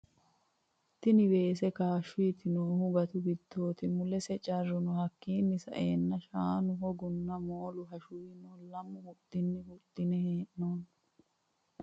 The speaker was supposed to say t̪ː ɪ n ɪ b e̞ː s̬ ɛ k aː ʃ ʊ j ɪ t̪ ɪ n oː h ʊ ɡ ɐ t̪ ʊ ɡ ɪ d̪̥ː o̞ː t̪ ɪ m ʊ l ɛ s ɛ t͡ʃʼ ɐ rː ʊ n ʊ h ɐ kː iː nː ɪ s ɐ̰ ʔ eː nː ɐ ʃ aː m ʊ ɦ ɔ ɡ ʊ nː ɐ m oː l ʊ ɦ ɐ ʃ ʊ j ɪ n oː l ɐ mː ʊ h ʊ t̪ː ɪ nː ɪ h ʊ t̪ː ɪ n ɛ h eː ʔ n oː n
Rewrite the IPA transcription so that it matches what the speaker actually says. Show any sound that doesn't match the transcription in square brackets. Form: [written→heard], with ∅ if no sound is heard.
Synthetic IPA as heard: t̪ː ɪ n ɪ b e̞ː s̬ ɛ k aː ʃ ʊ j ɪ t̪ ɪ n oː h ʊ ɡ ɐ t̪ ʊ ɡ ɪ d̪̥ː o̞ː t̪ ɪ m ʊ l ɛ s ɛ t͡ʃʼ ɐ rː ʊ n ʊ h ɐ kː iː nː ɪ s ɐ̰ ʔ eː nː ɐ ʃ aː [m→n] ʊ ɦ ɔ ɡ ʊ nː ɐ m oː l ʊ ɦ ɐ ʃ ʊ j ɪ n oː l ɐ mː ʊ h ʊ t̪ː ɪ nː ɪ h ʊ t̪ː ɪ n ɛ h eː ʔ n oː n